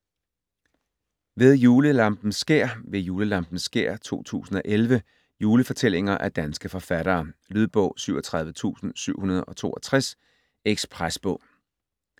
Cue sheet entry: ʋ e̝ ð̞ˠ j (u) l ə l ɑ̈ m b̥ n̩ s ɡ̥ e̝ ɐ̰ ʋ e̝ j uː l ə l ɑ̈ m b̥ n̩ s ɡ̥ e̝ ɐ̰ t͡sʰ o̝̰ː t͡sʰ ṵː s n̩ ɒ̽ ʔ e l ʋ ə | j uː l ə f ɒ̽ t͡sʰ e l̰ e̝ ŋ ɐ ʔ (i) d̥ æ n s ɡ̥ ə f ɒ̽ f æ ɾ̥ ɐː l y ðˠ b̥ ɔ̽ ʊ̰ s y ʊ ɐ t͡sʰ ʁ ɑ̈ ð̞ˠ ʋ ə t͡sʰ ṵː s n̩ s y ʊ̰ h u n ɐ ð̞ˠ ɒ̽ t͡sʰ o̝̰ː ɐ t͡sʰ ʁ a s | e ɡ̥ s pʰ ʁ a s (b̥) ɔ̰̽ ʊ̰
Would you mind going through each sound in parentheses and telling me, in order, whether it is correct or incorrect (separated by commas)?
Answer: incorrect, incorrect, correct